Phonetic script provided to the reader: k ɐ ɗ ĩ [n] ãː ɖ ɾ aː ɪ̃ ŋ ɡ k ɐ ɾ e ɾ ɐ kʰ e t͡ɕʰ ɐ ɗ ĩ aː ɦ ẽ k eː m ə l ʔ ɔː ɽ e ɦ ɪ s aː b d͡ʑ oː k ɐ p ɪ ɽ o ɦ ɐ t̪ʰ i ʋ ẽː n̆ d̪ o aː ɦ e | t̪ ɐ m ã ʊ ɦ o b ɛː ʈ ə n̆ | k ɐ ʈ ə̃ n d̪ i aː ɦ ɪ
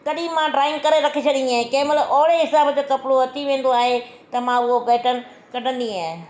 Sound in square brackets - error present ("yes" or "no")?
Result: yes